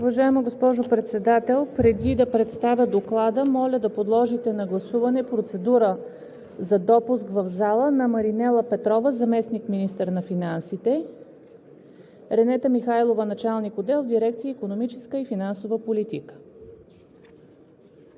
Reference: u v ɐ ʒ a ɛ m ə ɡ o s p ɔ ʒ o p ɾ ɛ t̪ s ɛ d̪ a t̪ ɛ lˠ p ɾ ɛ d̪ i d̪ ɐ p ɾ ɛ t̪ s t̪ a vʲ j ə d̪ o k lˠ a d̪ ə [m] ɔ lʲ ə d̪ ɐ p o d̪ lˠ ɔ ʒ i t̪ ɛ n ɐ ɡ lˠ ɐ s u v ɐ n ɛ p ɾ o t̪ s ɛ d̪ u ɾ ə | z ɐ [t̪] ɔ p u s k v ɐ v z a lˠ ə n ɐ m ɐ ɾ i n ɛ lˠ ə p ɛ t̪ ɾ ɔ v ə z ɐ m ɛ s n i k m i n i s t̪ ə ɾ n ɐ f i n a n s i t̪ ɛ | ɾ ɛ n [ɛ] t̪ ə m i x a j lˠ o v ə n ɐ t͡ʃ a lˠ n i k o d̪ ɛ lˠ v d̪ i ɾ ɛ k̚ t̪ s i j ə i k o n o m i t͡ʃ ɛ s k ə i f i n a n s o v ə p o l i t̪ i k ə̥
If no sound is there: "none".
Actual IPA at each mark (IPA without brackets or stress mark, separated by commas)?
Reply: m, d̪, ɛ